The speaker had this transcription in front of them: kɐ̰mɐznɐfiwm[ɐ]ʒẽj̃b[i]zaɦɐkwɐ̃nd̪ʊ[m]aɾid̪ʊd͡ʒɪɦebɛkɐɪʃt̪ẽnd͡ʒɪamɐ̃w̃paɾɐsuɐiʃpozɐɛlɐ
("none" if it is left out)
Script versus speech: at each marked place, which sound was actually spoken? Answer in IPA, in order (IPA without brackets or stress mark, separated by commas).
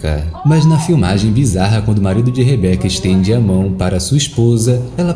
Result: a, i, m